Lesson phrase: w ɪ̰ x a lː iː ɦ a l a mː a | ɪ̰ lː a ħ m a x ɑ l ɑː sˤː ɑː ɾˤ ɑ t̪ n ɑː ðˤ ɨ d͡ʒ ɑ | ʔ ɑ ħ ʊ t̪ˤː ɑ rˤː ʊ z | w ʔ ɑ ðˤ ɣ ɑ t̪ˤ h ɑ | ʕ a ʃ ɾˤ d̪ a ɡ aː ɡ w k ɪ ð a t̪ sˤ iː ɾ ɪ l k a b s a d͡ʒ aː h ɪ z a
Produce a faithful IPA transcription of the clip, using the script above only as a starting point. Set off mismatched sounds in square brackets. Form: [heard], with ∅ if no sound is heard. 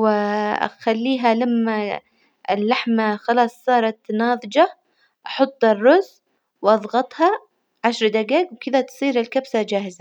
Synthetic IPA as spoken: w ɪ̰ x a lː iː ɦ a l a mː a | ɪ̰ lː a ħ m a x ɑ l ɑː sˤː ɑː ɾˤ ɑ t̪ n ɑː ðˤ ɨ d͡ʒ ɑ | ʔ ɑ ħ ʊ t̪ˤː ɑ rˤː ʊ z | w ʔ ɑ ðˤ ɣ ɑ t̪ˤ h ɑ | ʕ a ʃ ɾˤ d̪ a ɡ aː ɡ w k ɪ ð a t̪ sˤ iː ɾ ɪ l k a b s a d͡ʒ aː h ɪ z a